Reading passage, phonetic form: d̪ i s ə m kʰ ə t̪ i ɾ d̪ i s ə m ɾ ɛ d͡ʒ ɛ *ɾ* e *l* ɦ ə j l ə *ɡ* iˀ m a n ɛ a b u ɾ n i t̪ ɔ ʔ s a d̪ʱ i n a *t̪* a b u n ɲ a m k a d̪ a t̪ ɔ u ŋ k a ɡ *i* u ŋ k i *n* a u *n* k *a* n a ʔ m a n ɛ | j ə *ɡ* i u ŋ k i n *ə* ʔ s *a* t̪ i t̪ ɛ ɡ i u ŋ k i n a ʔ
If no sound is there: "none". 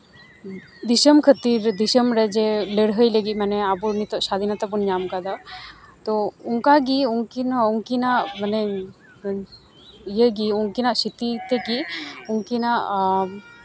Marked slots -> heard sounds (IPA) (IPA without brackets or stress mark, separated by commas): l, ɽ, ɡ, t̪, i, n, ŋ, i, ɡ, a, i